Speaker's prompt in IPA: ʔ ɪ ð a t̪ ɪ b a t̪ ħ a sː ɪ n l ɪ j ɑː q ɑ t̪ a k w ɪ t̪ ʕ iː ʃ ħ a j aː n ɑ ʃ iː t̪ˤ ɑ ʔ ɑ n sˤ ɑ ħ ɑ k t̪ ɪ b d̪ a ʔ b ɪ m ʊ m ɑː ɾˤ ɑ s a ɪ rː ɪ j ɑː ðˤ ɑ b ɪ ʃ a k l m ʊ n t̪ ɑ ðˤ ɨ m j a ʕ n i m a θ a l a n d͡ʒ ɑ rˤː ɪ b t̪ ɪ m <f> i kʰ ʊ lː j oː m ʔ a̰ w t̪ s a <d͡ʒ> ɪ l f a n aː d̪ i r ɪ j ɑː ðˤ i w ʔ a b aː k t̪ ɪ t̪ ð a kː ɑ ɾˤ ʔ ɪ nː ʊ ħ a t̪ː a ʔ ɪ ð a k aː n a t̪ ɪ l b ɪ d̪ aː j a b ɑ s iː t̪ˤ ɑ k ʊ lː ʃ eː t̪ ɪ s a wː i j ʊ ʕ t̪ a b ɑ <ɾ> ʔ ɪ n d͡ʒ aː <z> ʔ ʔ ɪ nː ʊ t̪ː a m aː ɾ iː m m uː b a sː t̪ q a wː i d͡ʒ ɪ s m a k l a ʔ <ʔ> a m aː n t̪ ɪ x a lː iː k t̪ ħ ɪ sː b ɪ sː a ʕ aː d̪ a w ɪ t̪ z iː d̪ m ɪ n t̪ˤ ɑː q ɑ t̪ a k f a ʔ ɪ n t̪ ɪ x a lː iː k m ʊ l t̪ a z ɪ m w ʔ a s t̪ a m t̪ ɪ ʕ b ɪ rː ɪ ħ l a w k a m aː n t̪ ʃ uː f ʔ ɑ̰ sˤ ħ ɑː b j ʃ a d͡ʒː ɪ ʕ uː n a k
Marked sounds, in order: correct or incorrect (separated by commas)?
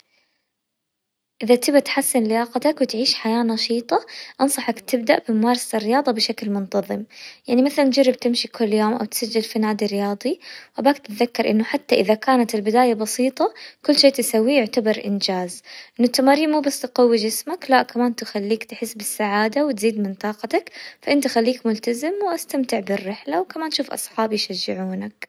incorrect, incorrect, correct, correct, incorrect